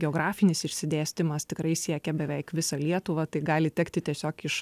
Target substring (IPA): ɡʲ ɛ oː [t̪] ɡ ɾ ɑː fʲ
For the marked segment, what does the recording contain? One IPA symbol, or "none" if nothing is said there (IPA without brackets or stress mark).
none